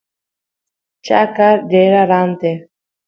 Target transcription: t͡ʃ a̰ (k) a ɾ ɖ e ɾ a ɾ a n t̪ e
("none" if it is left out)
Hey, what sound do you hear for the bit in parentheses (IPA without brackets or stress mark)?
k